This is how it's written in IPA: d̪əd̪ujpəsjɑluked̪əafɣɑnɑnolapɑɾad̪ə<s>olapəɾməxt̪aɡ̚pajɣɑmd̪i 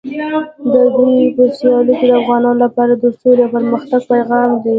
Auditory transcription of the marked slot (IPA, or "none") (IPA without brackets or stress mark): s